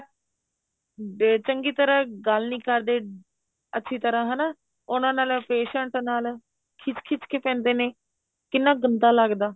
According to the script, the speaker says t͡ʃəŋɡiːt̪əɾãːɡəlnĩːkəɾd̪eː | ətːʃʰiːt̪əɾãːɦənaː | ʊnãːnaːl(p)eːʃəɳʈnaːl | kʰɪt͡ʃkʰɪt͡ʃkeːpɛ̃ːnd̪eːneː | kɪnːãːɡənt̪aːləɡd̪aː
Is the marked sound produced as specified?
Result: yes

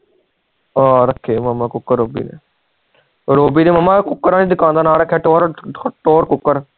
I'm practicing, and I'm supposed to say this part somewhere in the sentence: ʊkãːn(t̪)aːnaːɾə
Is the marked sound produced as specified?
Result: no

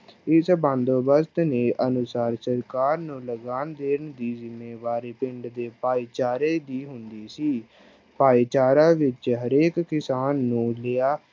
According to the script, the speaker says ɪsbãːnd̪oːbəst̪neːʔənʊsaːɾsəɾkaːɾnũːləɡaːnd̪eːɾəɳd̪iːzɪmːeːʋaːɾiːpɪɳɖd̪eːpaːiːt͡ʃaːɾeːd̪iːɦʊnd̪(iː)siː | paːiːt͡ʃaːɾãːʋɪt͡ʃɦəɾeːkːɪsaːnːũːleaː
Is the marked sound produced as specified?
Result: yes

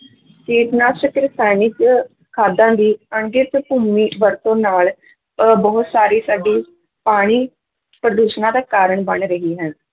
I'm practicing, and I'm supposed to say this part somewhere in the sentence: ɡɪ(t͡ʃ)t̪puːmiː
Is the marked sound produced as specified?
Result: no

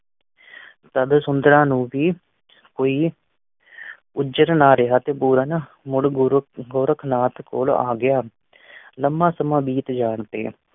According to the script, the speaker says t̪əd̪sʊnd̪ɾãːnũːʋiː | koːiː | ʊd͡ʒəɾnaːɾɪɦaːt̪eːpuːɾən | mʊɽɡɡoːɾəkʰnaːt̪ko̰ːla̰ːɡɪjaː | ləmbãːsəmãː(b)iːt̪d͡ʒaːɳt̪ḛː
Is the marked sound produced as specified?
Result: yes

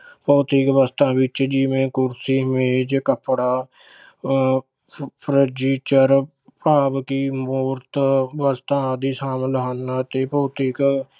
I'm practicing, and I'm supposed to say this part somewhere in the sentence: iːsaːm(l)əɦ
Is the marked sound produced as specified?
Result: yes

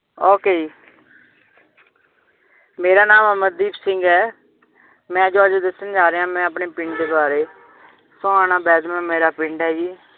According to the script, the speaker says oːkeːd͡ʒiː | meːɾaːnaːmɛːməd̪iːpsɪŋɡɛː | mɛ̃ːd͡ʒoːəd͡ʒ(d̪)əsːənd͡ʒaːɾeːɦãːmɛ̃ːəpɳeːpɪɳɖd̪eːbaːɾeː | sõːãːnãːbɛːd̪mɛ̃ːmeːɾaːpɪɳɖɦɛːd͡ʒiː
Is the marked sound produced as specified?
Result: yes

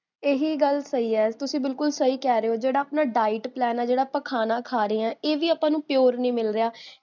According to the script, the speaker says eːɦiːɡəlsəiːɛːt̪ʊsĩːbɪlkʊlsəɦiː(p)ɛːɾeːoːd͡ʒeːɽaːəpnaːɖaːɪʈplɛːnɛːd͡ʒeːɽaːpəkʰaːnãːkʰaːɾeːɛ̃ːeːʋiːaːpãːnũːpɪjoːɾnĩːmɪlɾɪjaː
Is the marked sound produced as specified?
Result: no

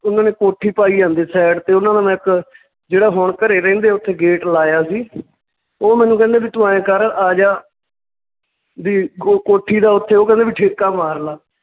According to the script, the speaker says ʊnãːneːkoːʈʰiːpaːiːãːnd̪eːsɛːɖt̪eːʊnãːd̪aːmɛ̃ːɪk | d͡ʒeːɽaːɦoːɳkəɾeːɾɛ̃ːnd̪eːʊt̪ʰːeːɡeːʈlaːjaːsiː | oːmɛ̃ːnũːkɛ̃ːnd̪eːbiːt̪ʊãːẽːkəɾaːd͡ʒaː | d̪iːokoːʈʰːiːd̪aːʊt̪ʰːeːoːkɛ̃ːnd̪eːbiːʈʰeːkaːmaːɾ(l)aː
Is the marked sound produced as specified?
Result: yes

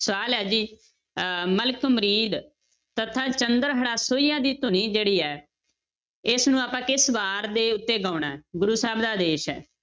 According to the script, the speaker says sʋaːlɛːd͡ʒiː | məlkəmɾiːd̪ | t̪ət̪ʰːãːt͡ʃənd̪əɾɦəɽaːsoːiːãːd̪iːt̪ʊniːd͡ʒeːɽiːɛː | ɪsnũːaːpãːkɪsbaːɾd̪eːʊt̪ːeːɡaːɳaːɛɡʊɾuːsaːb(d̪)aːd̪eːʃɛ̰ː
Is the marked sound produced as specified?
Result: yes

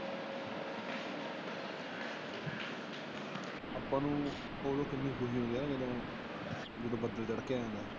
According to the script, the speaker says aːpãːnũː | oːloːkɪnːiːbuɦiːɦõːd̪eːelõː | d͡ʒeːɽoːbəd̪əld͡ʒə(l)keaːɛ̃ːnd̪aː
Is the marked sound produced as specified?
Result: no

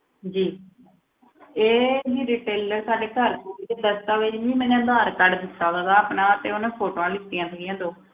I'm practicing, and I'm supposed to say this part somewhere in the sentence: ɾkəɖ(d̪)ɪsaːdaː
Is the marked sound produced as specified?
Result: yes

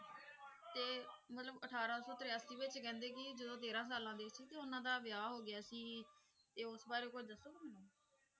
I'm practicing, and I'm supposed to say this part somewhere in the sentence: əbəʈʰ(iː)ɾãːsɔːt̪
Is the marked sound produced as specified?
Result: no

